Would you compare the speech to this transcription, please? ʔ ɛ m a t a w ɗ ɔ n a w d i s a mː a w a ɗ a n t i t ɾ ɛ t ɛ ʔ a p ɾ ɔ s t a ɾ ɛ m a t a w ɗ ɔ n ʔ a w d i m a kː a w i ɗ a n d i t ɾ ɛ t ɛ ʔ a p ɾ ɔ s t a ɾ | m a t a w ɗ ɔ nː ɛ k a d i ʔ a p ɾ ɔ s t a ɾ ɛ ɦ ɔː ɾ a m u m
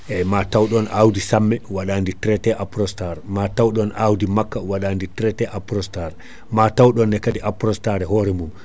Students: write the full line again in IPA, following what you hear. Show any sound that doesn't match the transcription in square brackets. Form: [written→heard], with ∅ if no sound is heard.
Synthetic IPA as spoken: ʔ ɛ m a t a w ɗ ɔ n a w d i s a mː [a→ɛ] w a ɗ a n [t→d] i t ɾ ɛ t ɛ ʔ a p ɾ ɔ s t a ɾ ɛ m a t a w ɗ ɔ n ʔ a w d i m a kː a w [i→a] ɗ a n d i t ɾ ɛ t ɛ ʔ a p ɾ ɔ s t a ɾ | m a t a w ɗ ɔ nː ɛ k a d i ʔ a p ɾ ɔ s t a ɾ ɛ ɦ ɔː ɾ [a→ɛ] m u m